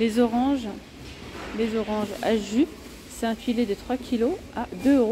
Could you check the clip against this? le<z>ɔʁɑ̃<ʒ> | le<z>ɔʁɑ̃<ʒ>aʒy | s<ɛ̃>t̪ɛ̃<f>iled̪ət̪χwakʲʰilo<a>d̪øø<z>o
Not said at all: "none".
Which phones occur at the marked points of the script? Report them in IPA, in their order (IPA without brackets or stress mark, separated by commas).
z, ʒ, z, ʒ, ɛ, f, a, ʁ